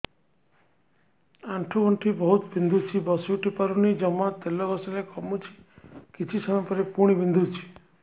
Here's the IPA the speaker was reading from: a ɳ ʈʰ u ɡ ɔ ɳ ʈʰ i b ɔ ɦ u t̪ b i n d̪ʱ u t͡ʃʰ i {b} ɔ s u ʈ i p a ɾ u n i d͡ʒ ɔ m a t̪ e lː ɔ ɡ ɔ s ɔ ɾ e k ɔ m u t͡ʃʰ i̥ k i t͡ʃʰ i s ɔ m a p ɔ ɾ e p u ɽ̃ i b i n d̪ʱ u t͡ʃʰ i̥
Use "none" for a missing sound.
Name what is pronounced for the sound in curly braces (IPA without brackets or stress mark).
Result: b